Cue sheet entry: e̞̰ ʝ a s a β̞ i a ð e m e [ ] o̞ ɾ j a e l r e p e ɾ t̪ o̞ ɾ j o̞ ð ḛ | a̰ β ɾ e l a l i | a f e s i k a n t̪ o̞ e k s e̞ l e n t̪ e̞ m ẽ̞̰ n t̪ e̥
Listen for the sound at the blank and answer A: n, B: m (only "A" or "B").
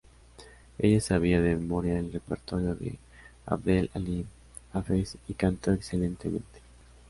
B